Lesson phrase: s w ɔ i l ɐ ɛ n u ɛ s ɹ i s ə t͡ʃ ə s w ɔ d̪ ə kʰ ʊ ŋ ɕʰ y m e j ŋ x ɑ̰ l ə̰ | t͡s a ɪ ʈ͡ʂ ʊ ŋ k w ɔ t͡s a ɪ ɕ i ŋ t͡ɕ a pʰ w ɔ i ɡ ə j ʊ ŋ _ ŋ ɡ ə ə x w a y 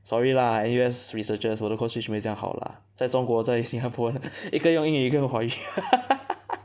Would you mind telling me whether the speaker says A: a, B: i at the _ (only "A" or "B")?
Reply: B